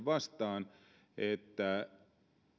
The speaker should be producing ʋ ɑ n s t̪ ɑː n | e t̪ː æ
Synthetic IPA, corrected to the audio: ʋ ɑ s t̪ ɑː n | e t̪ː æ